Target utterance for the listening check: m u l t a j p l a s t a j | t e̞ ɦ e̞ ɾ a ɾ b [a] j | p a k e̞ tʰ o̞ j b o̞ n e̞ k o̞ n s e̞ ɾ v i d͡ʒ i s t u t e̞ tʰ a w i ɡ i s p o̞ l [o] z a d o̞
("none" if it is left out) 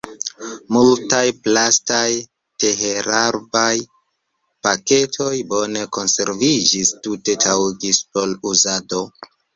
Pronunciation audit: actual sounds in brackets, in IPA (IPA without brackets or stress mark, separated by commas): a, u